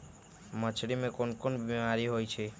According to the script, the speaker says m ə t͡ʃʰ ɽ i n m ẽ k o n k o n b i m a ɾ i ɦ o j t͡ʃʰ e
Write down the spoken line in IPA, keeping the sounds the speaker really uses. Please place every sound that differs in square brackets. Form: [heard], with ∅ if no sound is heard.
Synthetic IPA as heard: m ə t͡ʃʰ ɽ i [∅] m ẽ k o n k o n b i m a ɾ i ɦ o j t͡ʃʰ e